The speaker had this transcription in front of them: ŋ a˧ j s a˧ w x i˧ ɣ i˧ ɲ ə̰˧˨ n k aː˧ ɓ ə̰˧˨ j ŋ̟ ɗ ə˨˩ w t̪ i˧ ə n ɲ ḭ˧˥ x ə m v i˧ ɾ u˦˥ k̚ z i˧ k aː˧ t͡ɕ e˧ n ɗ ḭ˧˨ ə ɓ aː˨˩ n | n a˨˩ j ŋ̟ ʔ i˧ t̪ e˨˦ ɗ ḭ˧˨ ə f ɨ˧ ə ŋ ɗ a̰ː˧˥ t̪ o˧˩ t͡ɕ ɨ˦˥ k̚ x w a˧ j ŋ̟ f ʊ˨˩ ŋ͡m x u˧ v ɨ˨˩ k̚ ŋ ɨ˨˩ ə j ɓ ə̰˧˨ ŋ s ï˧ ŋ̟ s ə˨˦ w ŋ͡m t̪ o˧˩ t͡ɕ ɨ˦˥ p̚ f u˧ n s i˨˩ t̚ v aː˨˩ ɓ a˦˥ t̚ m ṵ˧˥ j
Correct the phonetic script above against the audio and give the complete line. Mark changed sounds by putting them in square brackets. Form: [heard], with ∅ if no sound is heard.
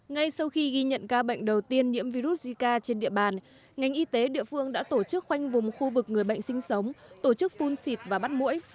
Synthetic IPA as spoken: ŋ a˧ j s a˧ w x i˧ ɣ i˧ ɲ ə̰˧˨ n k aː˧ ɓ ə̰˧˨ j ŋ̟ ɗ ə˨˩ w t̪ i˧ ə n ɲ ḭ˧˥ [∅] ə m v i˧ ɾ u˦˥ [t̚] z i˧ k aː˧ t͡ɕ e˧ n ɗ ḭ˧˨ ə ɓ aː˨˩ n | [ŋ] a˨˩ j ŋ̟ ʔ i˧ t̪ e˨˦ ɗ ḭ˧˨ ə f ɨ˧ ə ŋ ɗ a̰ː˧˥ t̪ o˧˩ t͡ɕ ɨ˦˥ k̚ x w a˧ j ŋ̟ [v] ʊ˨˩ ŋ͡m x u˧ v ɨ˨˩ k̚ ŋ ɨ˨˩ ə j ɓ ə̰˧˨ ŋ s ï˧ ŋ̟ s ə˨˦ w ŋ͡m t̪ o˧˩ t͡ɕ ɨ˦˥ [k̚] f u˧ n s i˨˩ t̚ v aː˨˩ ɓ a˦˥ t̚ m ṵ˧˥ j